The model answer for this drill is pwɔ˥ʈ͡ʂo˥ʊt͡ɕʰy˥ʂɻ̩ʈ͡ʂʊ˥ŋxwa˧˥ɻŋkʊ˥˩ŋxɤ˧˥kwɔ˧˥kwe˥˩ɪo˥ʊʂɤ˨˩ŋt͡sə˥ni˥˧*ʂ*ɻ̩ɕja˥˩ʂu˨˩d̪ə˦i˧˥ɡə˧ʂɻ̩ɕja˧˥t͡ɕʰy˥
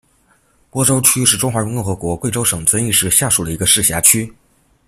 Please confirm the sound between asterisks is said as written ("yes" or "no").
yes